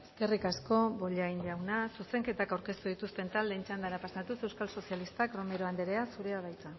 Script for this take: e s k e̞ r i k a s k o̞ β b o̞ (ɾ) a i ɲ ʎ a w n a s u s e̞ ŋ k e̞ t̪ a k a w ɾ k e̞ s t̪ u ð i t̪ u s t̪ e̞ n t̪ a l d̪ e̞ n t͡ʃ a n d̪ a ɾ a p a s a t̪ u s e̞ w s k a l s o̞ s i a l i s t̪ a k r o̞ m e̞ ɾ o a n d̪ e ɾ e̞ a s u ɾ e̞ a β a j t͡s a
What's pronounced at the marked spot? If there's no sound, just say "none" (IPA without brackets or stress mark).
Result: ʎ